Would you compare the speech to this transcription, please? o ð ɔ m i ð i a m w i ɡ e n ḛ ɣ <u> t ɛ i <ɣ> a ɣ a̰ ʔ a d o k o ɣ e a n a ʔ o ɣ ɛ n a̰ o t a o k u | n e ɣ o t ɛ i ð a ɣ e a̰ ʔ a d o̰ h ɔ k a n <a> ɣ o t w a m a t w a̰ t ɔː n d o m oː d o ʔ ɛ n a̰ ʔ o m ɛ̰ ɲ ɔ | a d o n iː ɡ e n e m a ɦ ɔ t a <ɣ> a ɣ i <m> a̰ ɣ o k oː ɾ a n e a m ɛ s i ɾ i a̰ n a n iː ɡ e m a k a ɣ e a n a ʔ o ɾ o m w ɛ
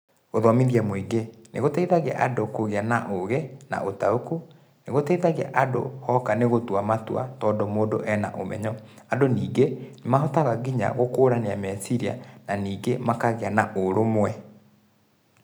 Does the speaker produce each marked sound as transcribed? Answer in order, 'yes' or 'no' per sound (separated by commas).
no, no, no, yes, no